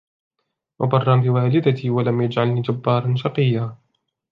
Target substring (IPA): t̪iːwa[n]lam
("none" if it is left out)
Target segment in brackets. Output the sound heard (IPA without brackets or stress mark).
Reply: none